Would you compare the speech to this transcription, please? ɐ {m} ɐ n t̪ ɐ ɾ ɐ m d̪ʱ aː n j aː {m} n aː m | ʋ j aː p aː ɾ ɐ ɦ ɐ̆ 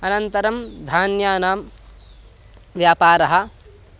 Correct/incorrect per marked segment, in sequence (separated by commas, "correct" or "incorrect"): incorrect, incorrect